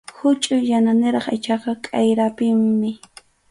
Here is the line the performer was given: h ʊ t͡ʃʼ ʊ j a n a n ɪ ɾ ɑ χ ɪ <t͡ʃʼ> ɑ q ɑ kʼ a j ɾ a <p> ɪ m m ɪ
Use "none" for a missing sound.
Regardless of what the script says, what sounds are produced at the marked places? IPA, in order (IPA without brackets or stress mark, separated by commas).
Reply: t͡ʃ, p